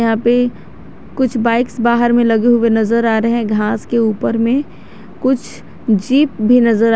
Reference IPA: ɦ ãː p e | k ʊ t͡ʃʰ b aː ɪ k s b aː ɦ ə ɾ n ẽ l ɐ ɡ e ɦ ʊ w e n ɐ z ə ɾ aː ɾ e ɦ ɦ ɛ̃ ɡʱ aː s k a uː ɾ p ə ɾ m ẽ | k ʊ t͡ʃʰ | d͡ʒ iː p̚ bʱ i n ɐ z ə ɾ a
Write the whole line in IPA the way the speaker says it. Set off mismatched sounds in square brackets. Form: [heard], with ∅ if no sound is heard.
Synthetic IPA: ɦ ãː p e | k ʊ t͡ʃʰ b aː ɪ k s b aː ɦ ə ɾ [m] ẽ l ɐ ɡ e ɦ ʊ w e n ɐ z ə ɾ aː ɾ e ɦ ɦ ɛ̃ ɡʱ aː s k [e] uː [∅] p ə ɾ m ẽ | k ʊ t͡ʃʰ | d͡ʒ iː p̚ bʱ i n ɐ z ə ɾ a